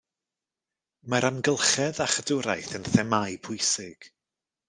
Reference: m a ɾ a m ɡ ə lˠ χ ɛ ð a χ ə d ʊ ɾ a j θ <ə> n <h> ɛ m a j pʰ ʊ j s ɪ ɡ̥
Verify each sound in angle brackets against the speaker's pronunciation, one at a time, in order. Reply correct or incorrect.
correct, incorrect: θ

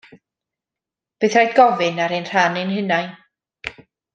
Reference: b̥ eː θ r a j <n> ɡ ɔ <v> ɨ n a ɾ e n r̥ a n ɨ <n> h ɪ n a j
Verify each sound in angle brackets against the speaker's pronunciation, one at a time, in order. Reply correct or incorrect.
incorrect: d, correct, correct

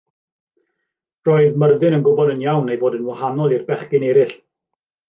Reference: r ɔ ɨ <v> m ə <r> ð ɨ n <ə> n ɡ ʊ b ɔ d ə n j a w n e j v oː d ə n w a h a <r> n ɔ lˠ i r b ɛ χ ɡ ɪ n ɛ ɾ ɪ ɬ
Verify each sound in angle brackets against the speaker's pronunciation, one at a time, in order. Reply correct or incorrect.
incorrect: ð, correct, correct, incorrect: none

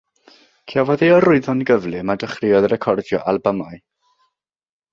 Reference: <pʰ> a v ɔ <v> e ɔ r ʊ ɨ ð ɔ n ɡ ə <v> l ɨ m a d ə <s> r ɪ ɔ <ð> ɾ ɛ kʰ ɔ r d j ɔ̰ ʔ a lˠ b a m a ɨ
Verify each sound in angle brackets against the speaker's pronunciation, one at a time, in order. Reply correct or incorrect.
incorrect: kʰ, incorrect: ð, correct, incorrect: χ, correct

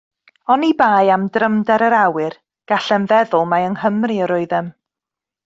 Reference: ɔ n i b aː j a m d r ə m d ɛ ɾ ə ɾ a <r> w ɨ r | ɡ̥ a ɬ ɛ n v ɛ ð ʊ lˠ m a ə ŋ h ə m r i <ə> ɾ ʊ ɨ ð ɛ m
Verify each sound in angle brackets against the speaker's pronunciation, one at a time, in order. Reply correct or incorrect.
incorrect: none, correct

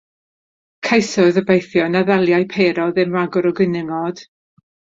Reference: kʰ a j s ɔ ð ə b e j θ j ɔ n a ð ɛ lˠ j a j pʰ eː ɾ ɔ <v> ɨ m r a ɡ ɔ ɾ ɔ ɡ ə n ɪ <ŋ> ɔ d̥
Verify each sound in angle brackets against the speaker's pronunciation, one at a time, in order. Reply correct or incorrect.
incorrect: ð, correct

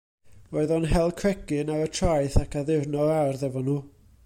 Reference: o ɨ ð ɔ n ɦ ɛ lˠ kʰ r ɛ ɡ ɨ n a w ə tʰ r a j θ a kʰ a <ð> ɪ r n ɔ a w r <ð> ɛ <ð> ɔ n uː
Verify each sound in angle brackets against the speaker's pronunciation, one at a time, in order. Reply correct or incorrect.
correct, correct, incorrect: v

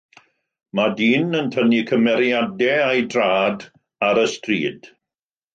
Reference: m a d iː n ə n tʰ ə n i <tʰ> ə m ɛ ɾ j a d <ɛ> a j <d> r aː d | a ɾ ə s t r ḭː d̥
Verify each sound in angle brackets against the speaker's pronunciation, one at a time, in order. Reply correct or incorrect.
incorrect: kʰ, correct, correct

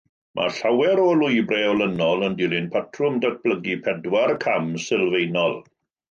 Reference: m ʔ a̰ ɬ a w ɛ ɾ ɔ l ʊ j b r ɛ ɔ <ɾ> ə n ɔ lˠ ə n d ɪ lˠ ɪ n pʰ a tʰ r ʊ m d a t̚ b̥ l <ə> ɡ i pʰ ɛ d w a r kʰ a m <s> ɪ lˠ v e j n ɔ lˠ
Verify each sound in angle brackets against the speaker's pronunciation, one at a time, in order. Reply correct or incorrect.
incorrect: l, correct, correct

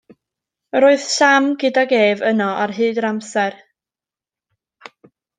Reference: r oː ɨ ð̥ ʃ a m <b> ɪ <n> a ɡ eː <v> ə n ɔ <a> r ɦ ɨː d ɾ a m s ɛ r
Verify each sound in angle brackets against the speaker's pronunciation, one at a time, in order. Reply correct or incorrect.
incorrect: ɡ, incorrect: d, correct, correct

